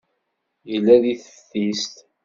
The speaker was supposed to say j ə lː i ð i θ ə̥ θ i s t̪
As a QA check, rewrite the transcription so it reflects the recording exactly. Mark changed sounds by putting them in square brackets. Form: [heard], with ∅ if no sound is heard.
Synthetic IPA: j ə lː [æ] ð i θ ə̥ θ i s t̪